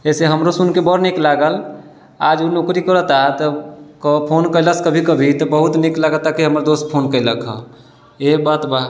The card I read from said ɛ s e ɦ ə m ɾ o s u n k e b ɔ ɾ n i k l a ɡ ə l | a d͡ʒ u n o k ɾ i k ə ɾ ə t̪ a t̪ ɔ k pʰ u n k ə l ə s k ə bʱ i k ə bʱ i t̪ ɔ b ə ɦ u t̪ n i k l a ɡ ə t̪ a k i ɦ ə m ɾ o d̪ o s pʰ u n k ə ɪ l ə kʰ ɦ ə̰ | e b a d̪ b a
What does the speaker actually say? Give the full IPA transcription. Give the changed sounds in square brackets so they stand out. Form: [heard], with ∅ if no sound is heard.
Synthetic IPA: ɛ s e ɦ ə m ɾ o s u n k e b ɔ ɾ n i k l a ɡ ə l | a d͡ʒ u n o k ɾ i k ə ɾ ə t̪ a t̪ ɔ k pʰ [o] n k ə l ə s k ə bʱ i k ə bʱ i t̪ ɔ b ə ɦ u t̪ n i k l a ɡ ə t̪ a k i ɦ ə m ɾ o d̪ o s pʰ [o] n k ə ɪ l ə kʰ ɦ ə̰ | e b a [t̪] b a